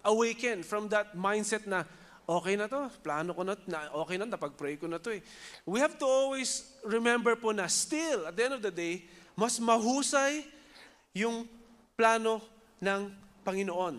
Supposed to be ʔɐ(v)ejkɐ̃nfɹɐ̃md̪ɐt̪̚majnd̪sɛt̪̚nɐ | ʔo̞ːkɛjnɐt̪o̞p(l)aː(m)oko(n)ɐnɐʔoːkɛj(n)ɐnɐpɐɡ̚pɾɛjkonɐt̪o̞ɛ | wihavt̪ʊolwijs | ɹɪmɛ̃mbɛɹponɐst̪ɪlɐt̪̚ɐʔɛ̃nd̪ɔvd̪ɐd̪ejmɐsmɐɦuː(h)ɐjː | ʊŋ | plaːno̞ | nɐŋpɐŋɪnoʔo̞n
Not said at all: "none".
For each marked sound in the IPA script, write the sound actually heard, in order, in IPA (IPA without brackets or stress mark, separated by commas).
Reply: w, l, n, n, n, s